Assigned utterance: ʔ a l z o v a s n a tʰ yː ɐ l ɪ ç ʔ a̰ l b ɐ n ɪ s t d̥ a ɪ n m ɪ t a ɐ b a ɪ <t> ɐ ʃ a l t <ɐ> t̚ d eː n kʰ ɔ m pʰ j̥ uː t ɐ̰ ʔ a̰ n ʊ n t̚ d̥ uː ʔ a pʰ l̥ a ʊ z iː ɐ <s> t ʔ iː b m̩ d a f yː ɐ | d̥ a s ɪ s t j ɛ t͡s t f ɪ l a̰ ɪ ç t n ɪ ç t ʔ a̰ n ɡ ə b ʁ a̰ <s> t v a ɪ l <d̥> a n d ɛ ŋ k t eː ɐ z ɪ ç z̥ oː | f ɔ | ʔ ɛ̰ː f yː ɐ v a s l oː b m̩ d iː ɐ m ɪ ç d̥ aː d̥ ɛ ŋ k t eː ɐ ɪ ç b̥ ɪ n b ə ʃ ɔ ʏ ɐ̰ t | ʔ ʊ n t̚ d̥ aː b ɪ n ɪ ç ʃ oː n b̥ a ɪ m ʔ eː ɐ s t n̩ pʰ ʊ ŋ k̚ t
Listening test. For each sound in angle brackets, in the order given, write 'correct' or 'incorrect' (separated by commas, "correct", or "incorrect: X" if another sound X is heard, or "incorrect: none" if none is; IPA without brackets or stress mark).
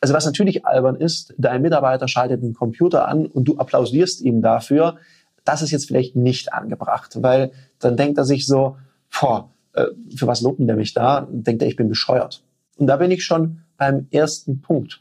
correct, incorrect: ə, correct, incorrect: χ, correct